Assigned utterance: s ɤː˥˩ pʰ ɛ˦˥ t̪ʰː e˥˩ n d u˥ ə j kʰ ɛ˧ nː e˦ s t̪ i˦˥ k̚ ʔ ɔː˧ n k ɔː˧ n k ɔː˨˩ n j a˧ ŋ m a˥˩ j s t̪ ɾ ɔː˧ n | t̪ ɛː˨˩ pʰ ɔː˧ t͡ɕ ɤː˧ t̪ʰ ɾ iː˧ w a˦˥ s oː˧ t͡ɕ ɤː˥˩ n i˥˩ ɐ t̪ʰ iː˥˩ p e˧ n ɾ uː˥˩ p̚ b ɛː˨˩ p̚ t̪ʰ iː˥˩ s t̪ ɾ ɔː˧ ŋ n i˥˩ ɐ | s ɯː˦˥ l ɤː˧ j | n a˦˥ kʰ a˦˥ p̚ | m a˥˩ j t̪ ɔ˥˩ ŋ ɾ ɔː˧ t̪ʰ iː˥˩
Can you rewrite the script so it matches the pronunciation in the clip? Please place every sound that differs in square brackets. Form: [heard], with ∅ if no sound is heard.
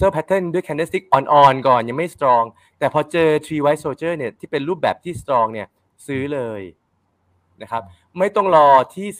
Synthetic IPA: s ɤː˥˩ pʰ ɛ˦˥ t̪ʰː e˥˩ n d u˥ ə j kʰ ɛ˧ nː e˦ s t̪ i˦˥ k̚ ʔ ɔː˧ n [ʔ] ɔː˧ n k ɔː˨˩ n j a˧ ŋ m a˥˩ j s t̪ ɾ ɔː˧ [ŋ] | t̪ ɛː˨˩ pʰ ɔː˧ t͡ɕ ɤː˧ t̪ʰ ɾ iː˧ w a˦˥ s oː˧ t͡ɕ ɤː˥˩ n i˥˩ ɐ t̪ʰ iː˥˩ p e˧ n ɾ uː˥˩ p̚ b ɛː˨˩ p̚ t̪ʰ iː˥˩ s t̪ ɾ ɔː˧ ŋ n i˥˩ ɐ | s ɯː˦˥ l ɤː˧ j | n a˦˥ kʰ a˦˥ p̚ | m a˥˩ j t̪ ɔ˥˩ ŋ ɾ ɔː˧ t̪ʰ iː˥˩